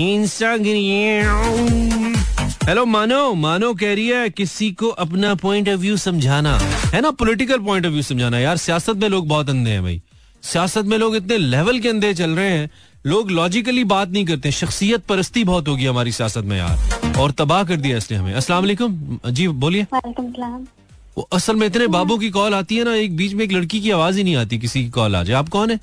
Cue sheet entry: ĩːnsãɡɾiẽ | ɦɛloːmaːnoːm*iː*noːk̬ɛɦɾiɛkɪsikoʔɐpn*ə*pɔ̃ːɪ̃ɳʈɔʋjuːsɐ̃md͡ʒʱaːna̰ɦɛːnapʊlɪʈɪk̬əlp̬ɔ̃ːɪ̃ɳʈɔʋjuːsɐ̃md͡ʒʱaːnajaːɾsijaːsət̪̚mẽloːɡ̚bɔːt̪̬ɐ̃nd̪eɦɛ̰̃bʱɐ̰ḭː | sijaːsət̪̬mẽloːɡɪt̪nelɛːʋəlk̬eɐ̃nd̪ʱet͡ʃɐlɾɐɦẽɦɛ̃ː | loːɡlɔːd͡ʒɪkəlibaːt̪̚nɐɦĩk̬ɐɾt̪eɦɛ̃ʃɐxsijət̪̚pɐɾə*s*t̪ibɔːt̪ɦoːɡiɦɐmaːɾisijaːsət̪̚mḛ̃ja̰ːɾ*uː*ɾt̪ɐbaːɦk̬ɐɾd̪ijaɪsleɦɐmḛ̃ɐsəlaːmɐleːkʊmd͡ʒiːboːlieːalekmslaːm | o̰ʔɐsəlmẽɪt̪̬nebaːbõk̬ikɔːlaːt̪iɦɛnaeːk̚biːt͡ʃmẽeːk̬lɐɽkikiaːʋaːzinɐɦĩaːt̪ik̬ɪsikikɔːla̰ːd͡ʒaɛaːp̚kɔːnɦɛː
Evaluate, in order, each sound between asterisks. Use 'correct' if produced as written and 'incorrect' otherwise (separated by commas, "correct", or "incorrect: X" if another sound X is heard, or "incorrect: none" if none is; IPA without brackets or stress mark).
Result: incorrect: aː, incorrect: a, correct, incorrect: ɔː